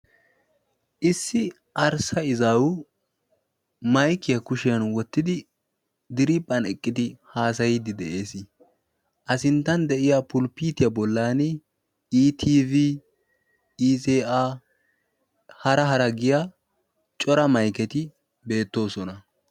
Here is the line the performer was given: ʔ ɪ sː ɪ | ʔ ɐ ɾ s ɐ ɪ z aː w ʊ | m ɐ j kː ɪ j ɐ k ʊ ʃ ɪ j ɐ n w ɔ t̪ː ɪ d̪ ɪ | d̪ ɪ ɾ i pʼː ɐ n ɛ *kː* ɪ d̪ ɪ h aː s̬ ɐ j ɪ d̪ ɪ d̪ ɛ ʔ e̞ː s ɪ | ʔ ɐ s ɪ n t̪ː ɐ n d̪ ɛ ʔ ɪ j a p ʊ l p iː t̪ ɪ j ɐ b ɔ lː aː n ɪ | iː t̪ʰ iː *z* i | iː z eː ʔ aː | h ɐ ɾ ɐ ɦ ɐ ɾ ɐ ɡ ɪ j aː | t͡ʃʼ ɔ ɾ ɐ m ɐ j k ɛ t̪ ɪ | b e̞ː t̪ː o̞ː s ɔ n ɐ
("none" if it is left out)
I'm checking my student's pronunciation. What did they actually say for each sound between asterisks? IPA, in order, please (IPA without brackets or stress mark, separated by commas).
kʼː, v